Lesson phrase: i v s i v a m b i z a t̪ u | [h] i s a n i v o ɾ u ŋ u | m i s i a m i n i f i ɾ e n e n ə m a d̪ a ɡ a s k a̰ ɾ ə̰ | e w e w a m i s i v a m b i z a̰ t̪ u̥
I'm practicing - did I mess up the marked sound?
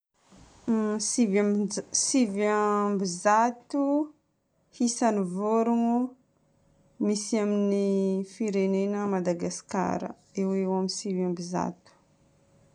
no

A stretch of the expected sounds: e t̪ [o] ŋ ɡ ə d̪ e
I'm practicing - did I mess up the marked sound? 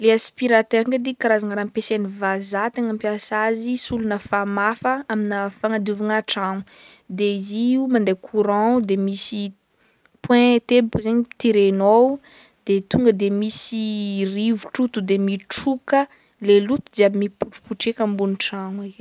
yes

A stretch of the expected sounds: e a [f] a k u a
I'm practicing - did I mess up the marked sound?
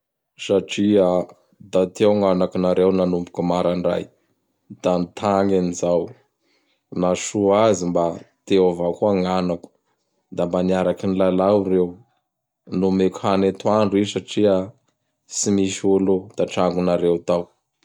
yes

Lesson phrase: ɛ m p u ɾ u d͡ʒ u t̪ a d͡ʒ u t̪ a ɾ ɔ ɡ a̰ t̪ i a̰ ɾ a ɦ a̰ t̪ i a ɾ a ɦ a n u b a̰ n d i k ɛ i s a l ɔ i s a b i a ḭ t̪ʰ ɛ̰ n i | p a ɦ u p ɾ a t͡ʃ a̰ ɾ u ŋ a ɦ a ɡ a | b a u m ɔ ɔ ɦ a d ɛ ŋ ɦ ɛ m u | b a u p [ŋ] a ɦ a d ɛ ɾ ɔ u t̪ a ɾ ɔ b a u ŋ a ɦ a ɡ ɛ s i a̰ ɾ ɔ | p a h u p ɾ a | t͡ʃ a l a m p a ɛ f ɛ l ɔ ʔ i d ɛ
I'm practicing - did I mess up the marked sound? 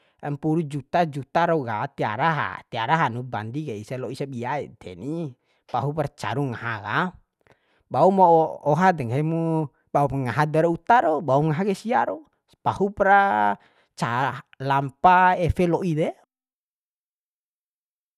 no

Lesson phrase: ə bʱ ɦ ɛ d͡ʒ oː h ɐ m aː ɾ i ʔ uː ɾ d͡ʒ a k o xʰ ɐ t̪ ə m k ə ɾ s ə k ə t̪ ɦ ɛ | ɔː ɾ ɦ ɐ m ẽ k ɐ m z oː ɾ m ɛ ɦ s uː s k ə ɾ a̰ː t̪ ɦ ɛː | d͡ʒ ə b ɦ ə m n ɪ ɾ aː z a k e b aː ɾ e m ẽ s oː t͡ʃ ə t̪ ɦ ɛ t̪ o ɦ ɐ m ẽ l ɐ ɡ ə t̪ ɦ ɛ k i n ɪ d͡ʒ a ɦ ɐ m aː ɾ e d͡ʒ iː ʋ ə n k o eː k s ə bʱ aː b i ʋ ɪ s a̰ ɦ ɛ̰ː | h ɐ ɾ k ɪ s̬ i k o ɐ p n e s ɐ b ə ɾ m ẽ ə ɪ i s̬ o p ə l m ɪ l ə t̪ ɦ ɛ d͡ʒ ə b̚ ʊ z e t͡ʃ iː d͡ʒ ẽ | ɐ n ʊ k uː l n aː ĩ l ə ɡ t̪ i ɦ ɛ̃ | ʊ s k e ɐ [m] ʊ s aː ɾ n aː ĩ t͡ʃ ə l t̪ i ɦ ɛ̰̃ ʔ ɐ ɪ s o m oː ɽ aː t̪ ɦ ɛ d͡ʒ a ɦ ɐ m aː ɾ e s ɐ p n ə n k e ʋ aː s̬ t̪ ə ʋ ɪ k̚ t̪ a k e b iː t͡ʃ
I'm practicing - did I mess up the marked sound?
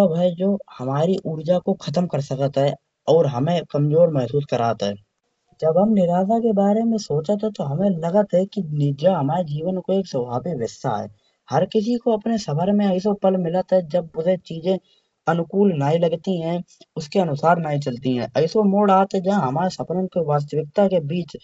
yes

